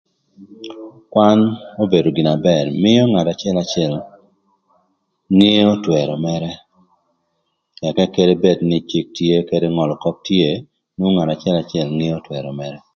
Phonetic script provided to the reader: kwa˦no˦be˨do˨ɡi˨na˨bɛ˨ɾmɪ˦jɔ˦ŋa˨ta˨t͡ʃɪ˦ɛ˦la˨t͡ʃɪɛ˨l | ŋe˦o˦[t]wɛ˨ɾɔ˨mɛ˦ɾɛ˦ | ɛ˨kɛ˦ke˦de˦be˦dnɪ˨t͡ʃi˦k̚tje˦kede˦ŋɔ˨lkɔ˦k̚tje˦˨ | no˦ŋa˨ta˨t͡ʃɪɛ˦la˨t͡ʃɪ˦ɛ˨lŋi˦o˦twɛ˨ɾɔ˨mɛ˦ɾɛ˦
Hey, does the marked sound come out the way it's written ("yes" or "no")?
yes